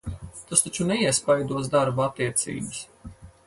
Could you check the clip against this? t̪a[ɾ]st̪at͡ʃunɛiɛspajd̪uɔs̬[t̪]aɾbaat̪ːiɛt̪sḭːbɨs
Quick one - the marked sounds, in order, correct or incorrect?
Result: incorrect, incorrect

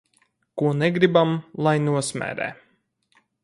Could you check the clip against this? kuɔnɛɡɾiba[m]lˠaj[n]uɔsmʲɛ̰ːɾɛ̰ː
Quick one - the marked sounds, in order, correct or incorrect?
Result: correct, correct

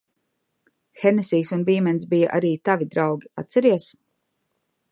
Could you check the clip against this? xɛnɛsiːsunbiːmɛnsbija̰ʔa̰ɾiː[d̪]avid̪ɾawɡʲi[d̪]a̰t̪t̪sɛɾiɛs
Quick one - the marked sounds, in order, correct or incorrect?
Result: incorrect, incorrect

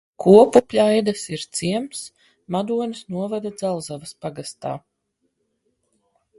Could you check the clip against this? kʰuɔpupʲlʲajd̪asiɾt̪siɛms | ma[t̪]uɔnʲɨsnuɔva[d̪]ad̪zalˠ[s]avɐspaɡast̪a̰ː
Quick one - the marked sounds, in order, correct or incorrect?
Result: incorrect, correct, incorrect

